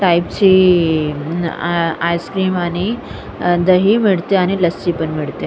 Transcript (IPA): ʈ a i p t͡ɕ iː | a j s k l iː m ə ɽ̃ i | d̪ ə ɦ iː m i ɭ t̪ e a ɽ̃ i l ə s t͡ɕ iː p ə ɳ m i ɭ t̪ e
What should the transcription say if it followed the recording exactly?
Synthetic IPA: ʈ a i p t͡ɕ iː | a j s k ɾ iː m a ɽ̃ i | d̪ ə ɦ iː m i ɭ t̪ e a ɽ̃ i l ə s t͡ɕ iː p ə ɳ m i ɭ t̪ e